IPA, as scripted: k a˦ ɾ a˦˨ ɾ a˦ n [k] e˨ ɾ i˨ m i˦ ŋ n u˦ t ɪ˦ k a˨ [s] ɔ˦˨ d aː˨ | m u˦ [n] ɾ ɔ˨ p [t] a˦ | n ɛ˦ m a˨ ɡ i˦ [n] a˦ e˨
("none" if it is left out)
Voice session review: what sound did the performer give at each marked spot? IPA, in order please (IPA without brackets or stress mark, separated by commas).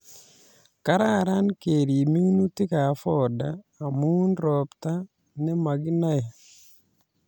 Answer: k, f, n, t, n